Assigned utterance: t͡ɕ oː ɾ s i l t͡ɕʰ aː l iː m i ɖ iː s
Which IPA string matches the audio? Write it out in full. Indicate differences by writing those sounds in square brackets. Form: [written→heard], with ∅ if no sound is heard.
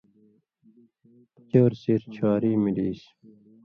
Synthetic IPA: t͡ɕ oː ɾ s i [l→ɾ] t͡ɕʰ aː [l→ɾ] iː m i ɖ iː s